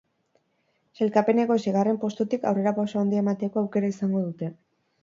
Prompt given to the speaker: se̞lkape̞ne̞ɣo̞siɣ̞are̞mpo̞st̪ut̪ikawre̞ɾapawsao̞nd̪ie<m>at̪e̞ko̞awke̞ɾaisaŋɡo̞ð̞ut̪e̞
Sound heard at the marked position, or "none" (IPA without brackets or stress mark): m